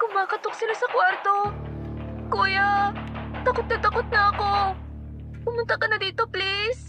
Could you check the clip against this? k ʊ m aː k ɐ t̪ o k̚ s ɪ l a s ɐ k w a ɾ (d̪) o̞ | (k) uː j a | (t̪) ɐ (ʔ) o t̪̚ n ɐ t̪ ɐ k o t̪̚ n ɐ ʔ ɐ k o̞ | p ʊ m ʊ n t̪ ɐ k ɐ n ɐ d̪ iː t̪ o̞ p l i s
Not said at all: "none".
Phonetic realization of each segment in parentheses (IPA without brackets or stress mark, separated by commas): t̪, k, t̪, k